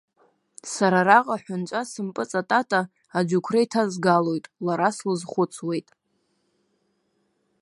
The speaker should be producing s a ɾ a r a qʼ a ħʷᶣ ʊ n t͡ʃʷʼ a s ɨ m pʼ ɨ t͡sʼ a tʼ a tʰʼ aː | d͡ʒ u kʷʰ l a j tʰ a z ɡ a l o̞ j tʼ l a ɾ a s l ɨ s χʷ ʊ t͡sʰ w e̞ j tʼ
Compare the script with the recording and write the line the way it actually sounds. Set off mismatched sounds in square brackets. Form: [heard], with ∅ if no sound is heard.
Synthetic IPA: s a ɾ a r a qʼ a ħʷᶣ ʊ n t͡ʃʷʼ a s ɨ m pʼ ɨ t͡sʼ a tʼ a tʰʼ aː | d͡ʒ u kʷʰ [r] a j tʰ a z ɡ a l o̞ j tʼ l a ɾ a s l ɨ [z] χʷ ʊ t͡sʰ w e̞ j tʼ